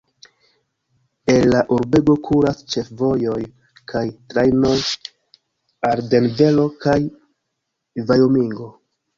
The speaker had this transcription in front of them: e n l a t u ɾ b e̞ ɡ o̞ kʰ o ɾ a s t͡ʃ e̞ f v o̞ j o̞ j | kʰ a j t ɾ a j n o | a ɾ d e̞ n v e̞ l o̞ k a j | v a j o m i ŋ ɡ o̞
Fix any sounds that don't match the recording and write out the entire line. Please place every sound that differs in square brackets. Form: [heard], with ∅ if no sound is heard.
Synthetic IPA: e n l a [ʔ] u ɾ b e̞ ɡ o̞ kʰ [u] ɾ a s t͡ʃ e̞ f v o̞ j o̞ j | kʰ a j t ɾ a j n o | a ɾ d e̞ n v e̞ l o̞ k a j | v a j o m i ŋ ɡ o̞